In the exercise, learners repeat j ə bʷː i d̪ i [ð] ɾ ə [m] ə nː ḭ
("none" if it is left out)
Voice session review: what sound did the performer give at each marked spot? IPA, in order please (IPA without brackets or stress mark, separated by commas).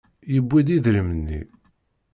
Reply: ð, m